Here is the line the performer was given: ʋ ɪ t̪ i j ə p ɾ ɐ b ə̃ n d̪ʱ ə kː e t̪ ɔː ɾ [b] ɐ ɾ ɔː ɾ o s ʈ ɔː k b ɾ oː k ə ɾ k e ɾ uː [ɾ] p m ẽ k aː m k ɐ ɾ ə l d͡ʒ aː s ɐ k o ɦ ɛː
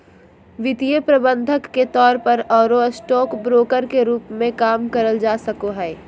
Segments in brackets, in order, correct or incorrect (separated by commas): incorrect, incorrect